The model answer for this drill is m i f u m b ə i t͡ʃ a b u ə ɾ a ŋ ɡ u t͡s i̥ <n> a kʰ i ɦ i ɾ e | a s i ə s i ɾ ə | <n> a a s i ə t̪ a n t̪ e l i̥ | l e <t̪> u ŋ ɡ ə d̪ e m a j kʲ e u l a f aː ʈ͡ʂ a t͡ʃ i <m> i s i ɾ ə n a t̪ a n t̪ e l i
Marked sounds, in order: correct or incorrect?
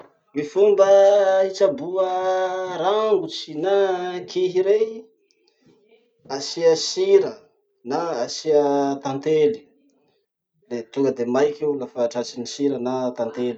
correct, correct, correct, incorrect

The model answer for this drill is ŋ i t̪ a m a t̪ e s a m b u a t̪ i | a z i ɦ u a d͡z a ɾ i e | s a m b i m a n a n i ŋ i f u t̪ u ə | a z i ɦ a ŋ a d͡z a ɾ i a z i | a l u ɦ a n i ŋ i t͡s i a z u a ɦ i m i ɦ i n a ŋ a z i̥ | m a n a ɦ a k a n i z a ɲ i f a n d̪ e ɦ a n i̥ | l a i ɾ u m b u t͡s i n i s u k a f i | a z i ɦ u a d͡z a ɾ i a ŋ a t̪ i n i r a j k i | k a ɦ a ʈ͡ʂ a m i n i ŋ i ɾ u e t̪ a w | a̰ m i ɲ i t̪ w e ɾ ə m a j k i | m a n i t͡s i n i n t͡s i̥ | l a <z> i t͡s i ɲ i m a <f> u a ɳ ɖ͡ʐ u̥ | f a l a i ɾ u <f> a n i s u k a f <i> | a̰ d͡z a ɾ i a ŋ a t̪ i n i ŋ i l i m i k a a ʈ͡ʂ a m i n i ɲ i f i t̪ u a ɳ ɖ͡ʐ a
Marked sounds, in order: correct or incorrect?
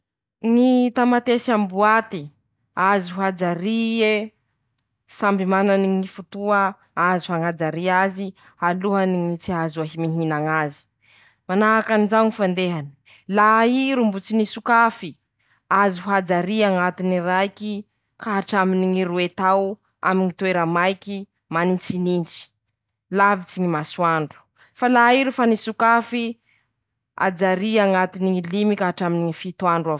incorrect, incorrect, correct, correct

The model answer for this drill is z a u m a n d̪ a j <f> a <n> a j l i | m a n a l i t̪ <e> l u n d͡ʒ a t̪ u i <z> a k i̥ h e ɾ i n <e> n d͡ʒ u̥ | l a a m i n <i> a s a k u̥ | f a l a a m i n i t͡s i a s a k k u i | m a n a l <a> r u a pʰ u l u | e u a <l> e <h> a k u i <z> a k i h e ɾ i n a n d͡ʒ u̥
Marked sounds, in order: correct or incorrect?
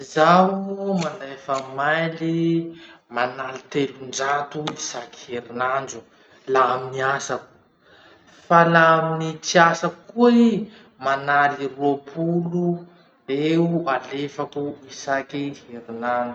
correct, incorrect, correct, incorrect, incorrect, correct, incorrect, correct, incorrect, incorrect

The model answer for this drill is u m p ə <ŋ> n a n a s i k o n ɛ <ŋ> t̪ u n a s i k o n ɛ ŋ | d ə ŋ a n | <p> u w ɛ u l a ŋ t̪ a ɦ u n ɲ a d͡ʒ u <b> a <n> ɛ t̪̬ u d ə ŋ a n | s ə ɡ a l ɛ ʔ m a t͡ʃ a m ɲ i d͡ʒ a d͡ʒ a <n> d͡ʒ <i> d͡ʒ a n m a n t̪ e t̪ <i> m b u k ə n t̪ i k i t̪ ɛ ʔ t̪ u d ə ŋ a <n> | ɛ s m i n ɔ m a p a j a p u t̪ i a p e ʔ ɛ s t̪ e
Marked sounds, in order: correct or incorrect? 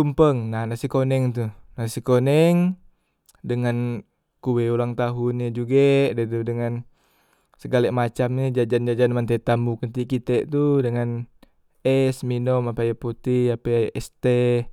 correct, correct, incorrect, incorrect, incorrect, correct, incorrect, incorrect, correct

